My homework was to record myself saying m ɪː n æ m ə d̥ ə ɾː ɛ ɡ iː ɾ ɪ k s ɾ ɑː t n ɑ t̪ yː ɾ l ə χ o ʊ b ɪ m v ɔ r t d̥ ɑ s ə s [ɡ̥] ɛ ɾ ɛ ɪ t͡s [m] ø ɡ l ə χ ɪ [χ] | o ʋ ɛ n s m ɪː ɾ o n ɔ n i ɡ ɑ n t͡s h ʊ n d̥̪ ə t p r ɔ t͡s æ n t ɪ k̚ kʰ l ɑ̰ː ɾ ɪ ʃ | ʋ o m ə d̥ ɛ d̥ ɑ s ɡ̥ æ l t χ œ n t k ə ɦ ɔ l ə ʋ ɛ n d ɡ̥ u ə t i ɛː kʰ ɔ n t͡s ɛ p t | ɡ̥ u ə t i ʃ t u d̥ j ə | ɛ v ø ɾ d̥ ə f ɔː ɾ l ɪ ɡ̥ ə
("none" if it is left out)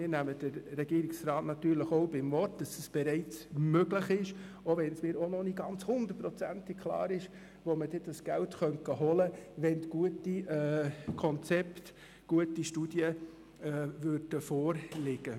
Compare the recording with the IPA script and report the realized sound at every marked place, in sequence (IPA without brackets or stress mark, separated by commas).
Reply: b̥, m, ʃ